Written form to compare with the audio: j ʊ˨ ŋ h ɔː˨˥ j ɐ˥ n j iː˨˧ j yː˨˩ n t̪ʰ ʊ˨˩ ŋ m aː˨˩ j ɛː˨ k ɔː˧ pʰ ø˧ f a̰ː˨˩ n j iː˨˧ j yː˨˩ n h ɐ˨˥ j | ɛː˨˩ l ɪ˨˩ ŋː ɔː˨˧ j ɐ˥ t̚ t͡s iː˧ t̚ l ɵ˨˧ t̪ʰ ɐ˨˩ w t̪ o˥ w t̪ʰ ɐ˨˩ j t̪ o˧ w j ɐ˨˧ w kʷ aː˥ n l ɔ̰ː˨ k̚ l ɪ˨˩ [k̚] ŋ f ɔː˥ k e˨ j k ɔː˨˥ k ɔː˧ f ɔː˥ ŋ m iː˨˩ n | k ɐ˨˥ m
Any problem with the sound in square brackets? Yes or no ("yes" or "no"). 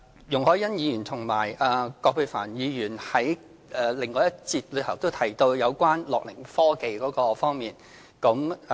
yes